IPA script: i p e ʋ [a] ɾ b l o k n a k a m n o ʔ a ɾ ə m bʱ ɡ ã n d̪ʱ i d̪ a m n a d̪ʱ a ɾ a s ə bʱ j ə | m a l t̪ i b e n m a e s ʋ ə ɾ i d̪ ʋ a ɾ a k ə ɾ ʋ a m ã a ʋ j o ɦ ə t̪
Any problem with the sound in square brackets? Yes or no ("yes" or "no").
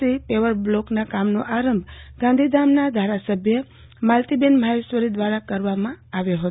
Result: yes